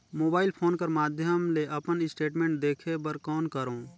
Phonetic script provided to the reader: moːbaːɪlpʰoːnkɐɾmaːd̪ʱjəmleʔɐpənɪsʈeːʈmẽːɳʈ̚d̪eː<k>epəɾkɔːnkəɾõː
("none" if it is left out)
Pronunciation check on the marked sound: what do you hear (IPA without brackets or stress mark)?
kʰ